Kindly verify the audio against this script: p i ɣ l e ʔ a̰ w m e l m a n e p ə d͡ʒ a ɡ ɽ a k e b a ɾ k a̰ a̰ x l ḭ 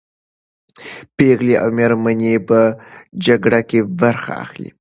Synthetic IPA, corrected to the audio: p e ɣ l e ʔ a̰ w m e ɾ m a n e p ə d͡ʒ a ɡ ɽ a k e b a ɾ x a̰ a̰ x l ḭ

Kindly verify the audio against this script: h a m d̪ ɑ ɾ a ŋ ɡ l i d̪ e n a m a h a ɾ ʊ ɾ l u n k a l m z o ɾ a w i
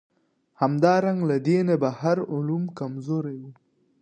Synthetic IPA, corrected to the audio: h a m d̪ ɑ ɾ a ŋ ɡ l a d̪ e n a b a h a ɾ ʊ l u m k a m z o ɾ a w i

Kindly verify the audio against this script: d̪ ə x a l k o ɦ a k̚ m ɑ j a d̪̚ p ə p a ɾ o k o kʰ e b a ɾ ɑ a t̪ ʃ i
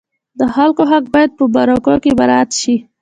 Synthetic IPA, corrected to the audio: d̪ ə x a l k o ɦ a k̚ b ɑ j a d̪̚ p ə b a ɾ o k o k e b a ɾ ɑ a t̪ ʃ i

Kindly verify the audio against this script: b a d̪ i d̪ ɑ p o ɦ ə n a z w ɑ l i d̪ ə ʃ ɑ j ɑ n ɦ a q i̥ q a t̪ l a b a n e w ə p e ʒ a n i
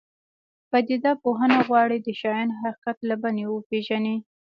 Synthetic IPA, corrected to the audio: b a d̪ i d̪ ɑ p o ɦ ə n a ɣ w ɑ ɽ i d̪ ə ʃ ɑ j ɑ n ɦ a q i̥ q a t̪ l a b a n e w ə p e ʒ a n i

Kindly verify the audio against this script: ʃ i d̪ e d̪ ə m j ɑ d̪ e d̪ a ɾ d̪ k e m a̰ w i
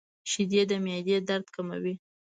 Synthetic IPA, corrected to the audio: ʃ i d̪ e d̪ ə m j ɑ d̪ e d̪ a ɾ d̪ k a m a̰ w i

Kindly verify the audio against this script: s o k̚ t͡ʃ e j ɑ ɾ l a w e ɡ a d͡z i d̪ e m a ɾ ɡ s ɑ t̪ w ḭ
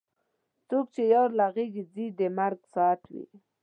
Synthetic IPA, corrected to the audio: t͡s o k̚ t͡ʃ e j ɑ ɾ l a ɣ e ɡ i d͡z i d̪ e m a ɾ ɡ s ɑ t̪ w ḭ

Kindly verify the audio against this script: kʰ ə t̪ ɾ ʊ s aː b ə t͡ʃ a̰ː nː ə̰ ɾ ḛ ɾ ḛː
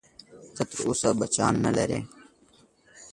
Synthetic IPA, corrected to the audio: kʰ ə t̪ ɾ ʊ s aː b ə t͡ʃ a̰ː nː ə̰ l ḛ ɾ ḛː

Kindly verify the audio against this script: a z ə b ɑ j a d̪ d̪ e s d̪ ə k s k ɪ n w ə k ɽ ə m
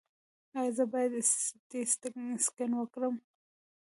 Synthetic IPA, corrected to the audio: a z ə b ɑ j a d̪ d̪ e s t̪ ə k s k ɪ n w ə k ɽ ə m

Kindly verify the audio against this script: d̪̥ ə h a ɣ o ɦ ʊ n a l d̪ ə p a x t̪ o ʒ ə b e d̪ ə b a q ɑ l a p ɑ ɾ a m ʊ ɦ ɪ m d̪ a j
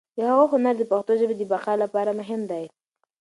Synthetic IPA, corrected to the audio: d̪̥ ə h a ɣ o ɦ ʊ n a ɾ d̪ ə p a x t̪ o ʒ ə b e d̪ ə b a q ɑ l a p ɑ ɾ a m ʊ ɦ ɪ m d̪ a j

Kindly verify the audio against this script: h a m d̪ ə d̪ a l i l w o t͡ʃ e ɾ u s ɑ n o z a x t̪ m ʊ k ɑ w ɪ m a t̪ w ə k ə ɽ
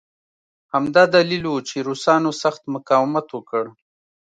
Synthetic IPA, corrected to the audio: h a m d̪ ɑ d̪ a l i l w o t͡ʃ e ɾ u s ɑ n o s a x t̪ m ʊ k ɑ w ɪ m a t̪ w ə k ə ɽ

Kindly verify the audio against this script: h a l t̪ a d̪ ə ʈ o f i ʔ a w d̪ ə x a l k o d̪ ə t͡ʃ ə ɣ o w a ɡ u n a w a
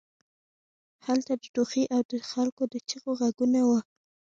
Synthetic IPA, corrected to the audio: h a l t̪ a d̪ ə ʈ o x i ʔ a w d̪ ə x a l k o d̪ ə t͡ʃ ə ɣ o ɣ a ɡ u n a w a

